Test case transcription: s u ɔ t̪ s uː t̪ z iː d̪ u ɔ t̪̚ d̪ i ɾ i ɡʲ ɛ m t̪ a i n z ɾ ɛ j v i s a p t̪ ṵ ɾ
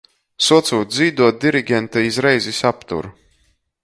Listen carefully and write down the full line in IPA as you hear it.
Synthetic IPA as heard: s u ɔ t̪ s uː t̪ z iː d̪ u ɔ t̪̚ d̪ i ɾ i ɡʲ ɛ n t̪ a i z ɾ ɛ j z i s a p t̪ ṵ ɾ